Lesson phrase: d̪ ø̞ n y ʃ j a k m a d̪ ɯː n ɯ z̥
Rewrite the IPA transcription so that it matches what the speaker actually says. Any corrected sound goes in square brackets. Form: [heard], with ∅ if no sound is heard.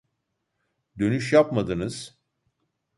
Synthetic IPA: d̪ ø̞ n y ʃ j a [p] m a d̪ [ɯ] n ɯ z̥